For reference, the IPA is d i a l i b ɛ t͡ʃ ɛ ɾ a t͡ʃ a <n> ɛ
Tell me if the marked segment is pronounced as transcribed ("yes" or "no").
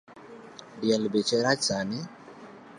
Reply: yes